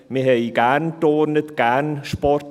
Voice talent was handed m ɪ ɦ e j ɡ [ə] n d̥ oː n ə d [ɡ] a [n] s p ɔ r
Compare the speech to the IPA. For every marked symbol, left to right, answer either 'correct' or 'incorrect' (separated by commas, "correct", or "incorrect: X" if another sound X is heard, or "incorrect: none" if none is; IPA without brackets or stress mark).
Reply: incorrect: a, correct, correct